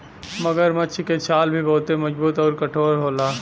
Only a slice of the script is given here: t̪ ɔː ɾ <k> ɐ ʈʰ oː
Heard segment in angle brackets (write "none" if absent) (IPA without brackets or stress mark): k